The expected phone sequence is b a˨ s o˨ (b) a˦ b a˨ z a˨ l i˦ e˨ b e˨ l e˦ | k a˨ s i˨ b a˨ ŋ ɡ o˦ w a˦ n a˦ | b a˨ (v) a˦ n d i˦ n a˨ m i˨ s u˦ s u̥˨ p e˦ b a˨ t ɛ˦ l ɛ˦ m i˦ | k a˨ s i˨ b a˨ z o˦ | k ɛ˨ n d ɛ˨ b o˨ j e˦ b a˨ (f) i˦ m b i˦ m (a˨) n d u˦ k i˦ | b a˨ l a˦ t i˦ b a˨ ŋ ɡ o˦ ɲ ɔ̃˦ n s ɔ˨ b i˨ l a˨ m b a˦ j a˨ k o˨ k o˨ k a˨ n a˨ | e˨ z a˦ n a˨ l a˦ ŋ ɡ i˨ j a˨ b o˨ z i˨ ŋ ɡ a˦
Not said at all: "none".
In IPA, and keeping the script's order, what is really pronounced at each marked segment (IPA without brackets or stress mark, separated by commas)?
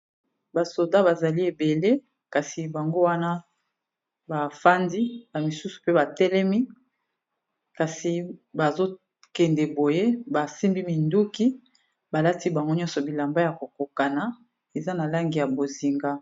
d, f, s, i˨